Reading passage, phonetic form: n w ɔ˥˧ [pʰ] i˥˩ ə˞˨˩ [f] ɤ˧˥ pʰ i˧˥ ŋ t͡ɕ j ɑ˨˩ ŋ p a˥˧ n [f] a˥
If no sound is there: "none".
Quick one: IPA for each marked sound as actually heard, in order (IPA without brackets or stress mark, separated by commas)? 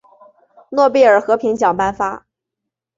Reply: p, x, f